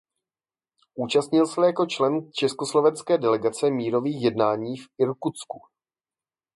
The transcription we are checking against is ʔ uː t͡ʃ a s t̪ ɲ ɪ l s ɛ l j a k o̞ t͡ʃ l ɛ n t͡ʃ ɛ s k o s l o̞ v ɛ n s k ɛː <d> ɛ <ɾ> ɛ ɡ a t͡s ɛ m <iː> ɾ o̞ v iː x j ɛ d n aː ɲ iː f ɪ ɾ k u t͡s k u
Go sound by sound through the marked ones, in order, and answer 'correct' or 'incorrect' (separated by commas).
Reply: correct, incorrect, correct